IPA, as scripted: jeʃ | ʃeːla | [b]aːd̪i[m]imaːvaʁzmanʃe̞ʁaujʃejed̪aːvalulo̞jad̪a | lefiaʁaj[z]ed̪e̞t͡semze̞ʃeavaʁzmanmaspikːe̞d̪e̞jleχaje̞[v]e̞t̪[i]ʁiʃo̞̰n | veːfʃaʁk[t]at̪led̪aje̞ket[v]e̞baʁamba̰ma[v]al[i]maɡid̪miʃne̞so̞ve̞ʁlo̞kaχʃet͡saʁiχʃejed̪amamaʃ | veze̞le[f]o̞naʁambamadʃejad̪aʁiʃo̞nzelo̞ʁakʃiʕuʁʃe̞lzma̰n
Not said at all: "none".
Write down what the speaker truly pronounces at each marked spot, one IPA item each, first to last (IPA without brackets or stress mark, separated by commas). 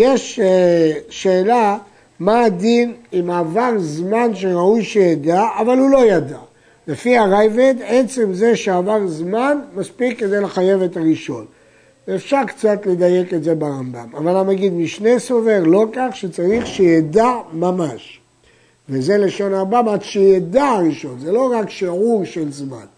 m, n, v, v, a, t͡s, z, v, a, ʃ